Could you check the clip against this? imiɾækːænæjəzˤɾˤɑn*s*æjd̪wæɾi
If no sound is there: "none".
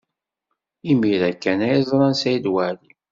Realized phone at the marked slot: s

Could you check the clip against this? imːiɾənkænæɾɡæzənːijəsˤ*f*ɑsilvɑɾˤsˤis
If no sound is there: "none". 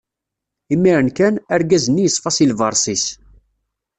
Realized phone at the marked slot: f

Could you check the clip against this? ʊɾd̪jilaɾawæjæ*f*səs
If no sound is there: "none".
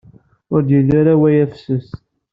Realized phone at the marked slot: f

